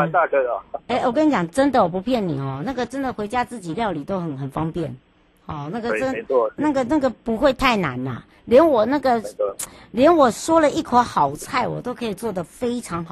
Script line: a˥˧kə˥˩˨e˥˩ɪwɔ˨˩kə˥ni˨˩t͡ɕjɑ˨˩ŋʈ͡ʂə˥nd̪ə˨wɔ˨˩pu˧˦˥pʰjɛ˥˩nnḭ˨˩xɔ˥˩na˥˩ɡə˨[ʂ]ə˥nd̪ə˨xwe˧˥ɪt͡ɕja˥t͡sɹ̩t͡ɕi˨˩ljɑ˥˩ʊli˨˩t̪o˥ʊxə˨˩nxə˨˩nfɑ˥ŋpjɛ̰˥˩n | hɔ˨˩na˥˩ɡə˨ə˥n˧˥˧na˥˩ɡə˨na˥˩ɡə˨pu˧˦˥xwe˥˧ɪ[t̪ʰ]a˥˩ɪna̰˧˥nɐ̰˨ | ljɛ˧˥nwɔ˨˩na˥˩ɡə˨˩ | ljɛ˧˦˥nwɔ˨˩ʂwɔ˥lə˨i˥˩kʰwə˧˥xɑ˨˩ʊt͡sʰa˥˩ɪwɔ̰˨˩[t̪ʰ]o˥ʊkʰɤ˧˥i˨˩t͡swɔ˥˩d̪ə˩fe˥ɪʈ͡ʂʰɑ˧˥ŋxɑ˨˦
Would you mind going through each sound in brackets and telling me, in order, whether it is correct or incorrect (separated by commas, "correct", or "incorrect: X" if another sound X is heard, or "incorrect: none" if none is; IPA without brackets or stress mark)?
incorrect: ʈ͡ʂ, correct, incorrect: t̪